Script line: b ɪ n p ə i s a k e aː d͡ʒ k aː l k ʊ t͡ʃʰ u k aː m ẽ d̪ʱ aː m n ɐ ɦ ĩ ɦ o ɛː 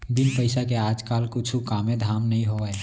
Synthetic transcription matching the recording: b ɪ n p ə ɪ s a k e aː d͡ʒ k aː l k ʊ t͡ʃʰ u k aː m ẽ d̪ʱ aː m n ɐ ɦ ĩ ɦ o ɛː